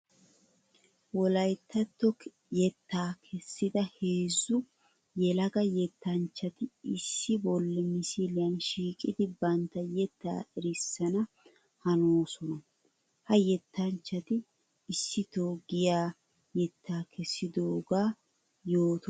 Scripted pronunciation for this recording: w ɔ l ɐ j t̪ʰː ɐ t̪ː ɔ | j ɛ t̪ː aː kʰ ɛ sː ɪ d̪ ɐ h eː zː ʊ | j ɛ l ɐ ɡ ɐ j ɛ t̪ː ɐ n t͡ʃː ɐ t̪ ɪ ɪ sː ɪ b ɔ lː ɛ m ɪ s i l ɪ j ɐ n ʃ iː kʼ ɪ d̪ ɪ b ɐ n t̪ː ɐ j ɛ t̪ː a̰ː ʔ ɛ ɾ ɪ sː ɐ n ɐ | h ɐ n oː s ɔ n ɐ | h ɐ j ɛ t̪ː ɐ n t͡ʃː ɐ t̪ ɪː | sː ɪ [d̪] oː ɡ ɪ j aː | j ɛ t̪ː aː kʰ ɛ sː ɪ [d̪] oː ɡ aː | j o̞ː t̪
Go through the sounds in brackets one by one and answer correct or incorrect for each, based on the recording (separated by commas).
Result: incorrect, correct